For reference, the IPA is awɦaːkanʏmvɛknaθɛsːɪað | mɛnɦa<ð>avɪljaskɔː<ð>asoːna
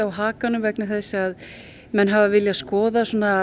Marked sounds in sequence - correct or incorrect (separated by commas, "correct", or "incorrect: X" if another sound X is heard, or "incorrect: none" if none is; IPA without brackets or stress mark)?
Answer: incorrect: v, correct